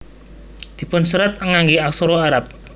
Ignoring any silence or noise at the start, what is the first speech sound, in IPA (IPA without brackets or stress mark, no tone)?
d̪̥